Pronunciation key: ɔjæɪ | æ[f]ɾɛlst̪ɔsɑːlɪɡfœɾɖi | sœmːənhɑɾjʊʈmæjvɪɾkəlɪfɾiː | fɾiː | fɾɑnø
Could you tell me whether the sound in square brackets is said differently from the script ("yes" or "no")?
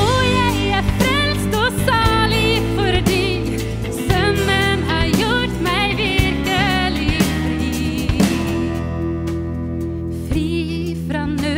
no